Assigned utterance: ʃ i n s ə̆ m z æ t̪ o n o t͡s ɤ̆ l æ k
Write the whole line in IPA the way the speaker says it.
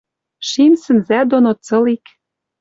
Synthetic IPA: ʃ i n s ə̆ n z æ d̪ o n o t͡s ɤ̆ l i k